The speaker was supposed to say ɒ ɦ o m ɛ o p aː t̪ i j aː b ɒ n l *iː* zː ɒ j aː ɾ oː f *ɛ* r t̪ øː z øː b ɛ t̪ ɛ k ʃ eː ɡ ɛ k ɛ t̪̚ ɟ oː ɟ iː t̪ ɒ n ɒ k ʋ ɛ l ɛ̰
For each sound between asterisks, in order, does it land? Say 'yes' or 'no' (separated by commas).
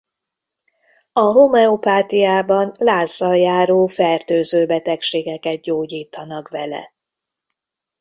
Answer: no, yes